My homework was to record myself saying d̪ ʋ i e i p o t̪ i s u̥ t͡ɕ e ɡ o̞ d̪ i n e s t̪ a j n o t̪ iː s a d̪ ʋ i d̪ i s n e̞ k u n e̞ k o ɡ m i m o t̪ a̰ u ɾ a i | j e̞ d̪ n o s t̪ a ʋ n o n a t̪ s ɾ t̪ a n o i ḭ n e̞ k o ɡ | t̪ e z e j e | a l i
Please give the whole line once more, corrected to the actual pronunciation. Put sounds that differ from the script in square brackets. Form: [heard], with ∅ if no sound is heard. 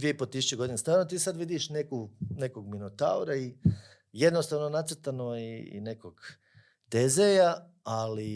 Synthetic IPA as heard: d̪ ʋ i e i p o t̪ i s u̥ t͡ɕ e ɡ o̞ d̪ i n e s t̪ a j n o t̪ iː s a d̪ ʋ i d̪ i [ʃ] n e̞ k u n e̞ k o ɡ m i [n] o t̪ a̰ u ɾ a i | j e̞ d̪ n o s t̪ a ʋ n o n a t̪ s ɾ t̪ a n o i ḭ n e̞ k o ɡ | t̪ e z e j [a] | a l i